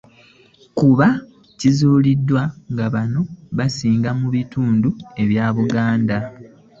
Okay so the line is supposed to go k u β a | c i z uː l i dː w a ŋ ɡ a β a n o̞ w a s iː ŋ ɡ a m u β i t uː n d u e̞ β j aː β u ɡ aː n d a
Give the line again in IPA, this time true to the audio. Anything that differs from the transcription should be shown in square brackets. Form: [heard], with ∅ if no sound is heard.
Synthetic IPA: k u β a | c i z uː l i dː w a ŋ ɡ a β a n o̞ [β] a s iː ŋ ɡ a m u β i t uː n d u e̞ β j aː β u ɡ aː n d a